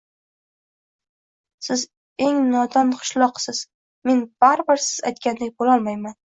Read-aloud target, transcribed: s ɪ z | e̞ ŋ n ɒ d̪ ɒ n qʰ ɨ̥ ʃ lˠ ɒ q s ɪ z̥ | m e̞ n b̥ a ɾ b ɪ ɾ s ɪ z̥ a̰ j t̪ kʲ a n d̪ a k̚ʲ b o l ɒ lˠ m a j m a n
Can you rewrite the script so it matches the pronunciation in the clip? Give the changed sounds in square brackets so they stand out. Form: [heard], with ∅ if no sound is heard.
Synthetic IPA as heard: s ɪ z | e̞ ŋ n ɒ d̪ ɒ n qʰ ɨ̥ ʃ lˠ ɒ q s ɪ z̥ | m e̞ n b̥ a ɾ b ɪ ɾ s ɪ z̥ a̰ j t̪ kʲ a n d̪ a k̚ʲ b o l ɒ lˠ m a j m a n

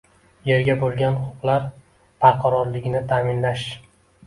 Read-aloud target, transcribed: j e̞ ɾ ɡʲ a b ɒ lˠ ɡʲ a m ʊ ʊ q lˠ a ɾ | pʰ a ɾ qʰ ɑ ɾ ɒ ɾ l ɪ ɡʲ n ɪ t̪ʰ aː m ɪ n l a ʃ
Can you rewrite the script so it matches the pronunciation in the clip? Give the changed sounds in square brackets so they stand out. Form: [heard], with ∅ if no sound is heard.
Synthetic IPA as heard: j e̞ ɾ ɡʲ a b [o] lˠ ɡʲ a [n] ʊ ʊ q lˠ a ɾ | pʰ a ɾ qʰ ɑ ɾ ɒ ɾ l ɪ ɡʲ n ɪ t̪ʰ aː m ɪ n l a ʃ

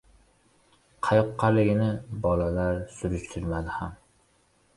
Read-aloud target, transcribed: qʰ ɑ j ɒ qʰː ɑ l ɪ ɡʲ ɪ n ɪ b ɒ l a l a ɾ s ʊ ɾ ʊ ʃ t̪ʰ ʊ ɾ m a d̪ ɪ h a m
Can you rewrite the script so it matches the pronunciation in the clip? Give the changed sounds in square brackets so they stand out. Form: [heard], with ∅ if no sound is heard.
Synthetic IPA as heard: qʰ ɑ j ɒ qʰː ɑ l ɪ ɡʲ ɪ n ɪ b ɒ l a l a ɾ s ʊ ɾ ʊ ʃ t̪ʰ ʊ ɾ m a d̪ ɪ h a m

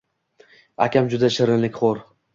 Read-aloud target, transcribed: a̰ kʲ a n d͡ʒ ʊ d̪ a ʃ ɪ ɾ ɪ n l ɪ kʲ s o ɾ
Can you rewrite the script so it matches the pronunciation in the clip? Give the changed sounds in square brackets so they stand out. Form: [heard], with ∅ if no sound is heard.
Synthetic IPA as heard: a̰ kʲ a [m] d͡ʒ ʊ d̪ a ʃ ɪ ɾ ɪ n l ɪ kʲ [χ] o ɾ

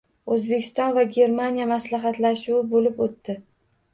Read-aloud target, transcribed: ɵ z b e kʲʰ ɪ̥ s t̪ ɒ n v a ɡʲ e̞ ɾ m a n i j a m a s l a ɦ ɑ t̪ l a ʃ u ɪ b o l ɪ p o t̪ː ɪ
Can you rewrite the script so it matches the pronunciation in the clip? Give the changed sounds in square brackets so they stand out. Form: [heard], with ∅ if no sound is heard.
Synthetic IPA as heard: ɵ z b e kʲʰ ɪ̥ s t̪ ɒ n v a ɡʲ e̞ ɾ m a n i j a m a s l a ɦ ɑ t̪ l a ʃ u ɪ b o l ɪ p o t̪ː ɪ

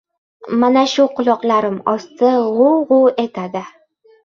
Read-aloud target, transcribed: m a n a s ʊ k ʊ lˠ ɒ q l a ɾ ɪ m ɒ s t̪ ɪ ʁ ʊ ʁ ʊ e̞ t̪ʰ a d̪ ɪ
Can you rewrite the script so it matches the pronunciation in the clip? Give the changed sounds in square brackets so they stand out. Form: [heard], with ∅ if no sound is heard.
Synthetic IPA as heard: m a n a [ʃ] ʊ [q] ʊ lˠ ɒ q l a ɾ ɪ m ɒ s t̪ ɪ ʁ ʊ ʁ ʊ e̞ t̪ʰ a d̪ ɪ

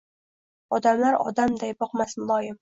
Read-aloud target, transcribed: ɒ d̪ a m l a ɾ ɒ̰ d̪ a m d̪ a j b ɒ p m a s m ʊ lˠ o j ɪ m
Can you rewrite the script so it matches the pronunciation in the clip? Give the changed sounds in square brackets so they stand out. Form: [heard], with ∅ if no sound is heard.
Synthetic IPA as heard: ɒ d̪ a m l a ɾ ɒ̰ d̪ a m d̪ a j b ɒ [q] m a s m ʊ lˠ [ɒ] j ɪ m

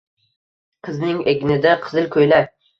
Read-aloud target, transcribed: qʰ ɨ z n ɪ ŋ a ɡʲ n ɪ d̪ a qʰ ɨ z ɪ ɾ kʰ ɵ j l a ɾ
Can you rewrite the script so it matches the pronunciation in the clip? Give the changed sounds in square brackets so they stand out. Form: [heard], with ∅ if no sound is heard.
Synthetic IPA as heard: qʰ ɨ z n ɪ ŋ [e] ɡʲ n ɪ d̪ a qʰ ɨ z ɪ [l] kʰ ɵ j l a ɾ

